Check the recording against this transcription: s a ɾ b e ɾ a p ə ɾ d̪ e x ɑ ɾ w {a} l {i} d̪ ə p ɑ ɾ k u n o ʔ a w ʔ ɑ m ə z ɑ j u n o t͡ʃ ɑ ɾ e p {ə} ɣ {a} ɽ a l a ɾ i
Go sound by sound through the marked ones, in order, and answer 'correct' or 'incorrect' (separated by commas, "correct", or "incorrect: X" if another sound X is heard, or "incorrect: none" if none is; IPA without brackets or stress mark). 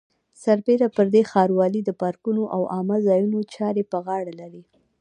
incorrect: ɑ, correct, correct, incorrect: ɑ